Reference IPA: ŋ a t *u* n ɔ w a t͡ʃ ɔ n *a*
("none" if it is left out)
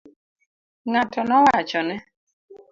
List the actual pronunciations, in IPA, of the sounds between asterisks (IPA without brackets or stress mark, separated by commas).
ɔ, ɛ